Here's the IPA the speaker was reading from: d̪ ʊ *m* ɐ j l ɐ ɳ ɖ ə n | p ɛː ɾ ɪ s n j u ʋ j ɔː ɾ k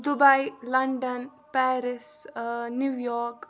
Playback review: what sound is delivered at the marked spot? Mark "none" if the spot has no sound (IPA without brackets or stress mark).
b